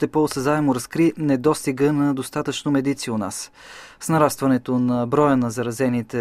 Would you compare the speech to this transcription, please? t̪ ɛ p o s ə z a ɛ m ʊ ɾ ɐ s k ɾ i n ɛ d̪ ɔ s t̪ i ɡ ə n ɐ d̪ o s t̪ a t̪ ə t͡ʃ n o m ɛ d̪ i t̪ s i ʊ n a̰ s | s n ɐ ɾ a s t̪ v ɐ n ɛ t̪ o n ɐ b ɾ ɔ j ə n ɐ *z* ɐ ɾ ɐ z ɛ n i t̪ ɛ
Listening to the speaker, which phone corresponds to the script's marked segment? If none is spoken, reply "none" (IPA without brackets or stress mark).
z